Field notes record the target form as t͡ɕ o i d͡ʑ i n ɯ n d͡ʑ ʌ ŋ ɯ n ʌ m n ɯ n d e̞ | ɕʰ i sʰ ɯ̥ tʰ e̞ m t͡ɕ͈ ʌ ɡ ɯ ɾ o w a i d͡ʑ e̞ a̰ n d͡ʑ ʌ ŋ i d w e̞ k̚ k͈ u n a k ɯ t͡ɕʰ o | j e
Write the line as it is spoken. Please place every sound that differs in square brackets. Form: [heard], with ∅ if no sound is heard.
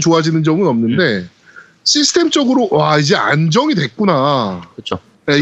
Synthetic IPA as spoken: t͡ɕ o [a] d͡ʑ i n ɯ n d͡ʑ ʌ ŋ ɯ n ʌ m n ɯ n d e̞ | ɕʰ i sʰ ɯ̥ tʰ e̞ m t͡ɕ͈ ʌ ɡ ɯ ɾ o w a i d͡ʑ e̞ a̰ n d͡ʑ ʌ ŋ i d w e̞ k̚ k͈ u n a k ɯ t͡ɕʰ o | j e